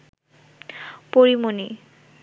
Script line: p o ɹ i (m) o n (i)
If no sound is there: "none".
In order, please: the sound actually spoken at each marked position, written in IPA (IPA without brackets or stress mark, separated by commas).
m, i